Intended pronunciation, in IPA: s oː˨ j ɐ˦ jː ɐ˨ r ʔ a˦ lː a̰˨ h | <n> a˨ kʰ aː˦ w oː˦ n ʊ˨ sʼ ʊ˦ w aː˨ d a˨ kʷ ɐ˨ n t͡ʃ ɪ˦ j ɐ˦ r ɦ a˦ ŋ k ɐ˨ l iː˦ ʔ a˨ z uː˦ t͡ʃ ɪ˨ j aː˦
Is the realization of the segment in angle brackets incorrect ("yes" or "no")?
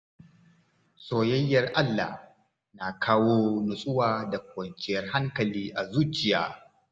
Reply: no